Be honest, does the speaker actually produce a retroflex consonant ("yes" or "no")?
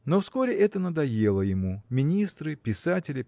no